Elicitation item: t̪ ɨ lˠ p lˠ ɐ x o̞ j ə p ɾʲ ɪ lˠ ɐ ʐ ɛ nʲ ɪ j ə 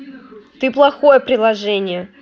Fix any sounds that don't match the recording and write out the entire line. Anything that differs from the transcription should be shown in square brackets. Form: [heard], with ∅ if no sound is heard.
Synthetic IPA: t̪ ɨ [∅] p lˠ ɐ x o̞ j ə p ɾʲ ɪ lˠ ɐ ʐ ɛ nʲ ɪ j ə

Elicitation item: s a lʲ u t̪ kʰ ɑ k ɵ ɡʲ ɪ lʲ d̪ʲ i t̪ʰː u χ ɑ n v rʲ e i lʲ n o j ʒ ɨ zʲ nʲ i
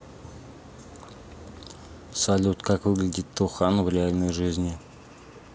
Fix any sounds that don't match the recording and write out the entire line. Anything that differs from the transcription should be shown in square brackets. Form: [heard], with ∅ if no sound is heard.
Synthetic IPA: s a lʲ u t̪ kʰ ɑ k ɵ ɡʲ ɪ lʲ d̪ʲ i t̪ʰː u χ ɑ n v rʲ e [a] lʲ n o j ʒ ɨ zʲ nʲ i

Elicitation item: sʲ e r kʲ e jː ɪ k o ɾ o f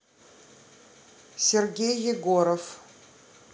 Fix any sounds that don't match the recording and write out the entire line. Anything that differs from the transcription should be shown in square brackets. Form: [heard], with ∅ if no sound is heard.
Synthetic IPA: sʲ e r [ɡʲ] e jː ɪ [ɡ] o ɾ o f

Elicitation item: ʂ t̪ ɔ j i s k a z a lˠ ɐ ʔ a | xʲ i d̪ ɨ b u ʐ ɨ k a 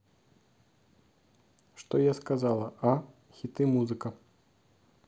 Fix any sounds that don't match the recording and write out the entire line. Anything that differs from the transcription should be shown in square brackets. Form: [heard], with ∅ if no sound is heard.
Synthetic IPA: ʂ t̪ ɔ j [a] s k a z a lˠ ɐ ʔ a | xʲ i [t̪] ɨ [m] u [z] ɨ k [ɐ]

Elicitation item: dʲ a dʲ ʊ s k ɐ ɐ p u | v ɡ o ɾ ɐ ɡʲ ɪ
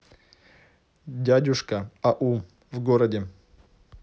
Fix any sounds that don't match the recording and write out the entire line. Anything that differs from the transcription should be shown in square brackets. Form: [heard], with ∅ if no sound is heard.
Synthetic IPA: dʲ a dʲ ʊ [ʂ] k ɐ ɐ [ʔ] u | v ɡ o ɾ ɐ [dʲ] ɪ

